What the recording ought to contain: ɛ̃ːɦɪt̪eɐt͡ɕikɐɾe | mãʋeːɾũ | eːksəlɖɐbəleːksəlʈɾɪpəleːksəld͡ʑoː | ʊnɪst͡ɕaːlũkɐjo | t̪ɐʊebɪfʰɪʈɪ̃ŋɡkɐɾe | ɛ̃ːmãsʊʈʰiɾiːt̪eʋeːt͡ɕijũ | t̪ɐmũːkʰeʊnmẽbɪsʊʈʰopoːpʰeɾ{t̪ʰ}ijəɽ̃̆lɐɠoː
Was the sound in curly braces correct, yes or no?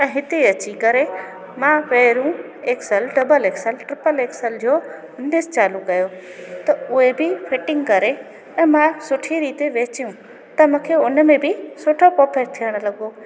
yes